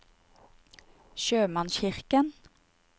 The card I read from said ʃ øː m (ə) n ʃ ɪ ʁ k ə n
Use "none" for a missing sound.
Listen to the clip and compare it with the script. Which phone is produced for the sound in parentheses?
ɑ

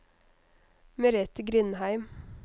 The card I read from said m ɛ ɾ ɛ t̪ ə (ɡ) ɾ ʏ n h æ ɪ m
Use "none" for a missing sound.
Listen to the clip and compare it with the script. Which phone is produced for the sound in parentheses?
ɡ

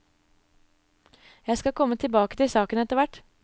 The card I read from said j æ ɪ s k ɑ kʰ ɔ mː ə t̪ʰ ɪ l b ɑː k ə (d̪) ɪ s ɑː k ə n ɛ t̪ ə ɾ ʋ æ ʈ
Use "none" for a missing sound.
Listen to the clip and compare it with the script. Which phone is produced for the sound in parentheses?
t̪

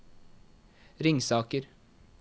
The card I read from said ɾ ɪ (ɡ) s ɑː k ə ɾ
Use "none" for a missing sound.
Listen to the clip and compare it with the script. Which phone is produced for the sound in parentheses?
ŋ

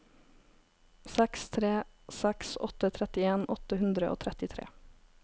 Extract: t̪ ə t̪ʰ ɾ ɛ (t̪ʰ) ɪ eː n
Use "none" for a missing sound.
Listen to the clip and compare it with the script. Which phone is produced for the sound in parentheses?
t̪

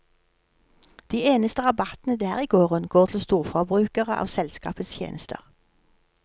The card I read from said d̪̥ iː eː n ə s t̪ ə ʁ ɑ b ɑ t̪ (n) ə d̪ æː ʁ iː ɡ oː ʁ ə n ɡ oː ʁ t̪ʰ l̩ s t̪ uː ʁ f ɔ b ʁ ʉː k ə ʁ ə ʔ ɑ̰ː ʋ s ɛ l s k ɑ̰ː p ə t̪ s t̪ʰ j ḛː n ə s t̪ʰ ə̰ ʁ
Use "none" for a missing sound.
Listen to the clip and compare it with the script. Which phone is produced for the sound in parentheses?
n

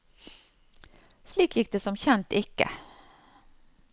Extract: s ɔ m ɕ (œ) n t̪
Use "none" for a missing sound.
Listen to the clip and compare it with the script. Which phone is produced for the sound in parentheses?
ɛ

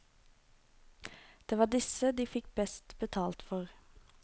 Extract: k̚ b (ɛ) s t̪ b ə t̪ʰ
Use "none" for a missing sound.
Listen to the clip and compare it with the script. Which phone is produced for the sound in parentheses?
ɛ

